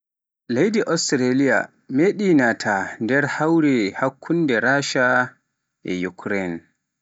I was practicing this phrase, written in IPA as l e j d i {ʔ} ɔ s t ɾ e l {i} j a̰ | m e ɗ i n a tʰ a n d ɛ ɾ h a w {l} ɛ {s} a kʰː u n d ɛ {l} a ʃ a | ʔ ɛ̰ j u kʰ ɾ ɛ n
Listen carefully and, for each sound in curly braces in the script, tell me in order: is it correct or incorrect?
correct, correct, incorrect, incorrect, incorrect

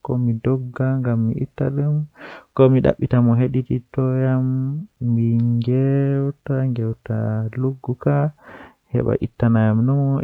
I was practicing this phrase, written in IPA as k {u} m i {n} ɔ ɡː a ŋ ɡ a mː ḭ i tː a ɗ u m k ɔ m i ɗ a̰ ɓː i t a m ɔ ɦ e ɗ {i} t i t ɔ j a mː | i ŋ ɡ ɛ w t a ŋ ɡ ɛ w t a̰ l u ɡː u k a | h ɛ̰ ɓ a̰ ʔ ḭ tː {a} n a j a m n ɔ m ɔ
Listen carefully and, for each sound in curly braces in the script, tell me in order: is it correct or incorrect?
incorrect, incorrect, correct, correct

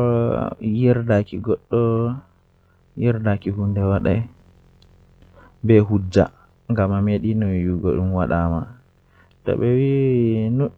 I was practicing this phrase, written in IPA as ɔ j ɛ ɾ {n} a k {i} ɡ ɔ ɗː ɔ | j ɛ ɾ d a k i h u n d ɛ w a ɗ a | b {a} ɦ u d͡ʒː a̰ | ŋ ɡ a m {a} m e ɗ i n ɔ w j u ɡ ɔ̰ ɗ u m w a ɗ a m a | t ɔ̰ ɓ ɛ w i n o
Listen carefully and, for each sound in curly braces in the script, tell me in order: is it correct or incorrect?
incorrect, correct, incorrect, correct

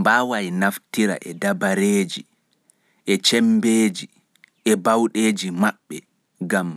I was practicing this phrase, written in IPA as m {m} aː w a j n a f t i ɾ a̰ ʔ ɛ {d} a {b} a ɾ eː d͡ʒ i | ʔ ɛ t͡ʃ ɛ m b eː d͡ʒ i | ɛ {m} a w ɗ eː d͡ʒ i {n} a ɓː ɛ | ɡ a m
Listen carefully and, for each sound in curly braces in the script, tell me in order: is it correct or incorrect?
incorrect, correct, correct, incorrect, incorrect

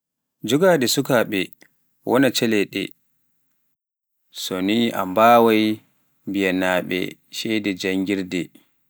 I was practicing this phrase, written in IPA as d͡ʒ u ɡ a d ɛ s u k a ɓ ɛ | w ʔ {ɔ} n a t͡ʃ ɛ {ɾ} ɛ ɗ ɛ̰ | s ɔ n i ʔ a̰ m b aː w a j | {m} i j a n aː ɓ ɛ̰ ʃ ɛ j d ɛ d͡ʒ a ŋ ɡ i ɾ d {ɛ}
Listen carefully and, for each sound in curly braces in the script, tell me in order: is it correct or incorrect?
correct, incorrect, incorrect, correct

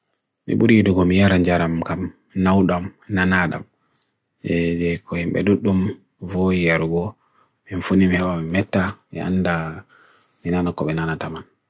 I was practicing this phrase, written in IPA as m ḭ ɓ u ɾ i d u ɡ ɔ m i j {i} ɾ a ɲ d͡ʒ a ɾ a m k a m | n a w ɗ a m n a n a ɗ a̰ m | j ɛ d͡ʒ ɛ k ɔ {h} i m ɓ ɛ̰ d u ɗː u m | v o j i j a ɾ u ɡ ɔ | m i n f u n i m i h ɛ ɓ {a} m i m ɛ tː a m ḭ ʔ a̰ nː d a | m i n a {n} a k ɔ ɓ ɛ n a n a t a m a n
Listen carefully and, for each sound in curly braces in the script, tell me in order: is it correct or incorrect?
incorrect, correct, correct, correct

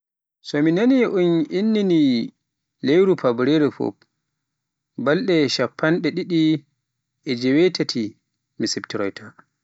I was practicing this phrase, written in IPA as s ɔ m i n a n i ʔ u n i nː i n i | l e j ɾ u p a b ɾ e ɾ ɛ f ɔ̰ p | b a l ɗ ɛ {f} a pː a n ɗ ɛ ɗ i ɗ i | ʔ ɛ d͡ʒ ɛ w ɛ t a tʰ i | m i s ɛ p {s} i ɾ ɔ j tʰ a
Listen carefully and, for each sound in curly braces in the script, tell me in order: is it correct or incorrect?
incorrect, incorrect

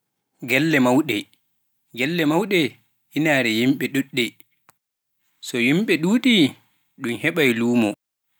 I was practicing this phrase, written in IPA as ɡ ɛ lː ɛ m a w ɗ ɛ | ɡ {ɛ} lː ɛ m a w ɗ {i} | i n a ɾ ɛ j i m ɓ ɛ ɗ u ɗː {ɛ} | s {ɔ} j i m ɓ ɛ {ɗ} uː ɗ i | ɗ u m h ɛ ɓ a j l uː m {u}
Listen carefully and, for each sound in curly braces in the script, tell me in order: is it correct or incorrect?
correct, incorrect, correct, correct, correct, incorrect

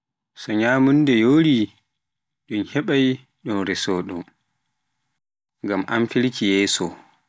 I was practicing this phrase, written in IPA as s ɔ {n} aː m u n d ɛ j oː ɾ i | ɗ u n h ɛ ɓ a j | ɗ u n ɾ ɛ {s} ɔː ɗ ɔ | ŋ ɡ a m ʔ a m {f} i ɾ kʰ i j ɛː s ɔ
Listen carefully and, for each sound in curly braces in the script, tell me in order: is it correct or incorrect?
incorrect, correct, correct

